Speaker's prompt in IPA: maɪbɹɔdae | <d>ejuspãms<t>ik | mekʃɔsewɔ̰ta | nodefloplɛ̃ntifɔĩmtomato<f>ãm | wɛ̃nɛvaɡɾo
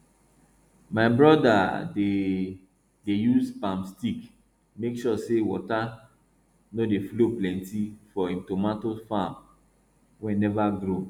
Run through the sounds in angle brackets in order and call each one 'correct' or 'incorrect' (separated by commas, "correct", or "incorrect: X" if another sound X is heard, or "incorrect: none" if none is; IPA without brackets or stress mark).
correct, correct, correct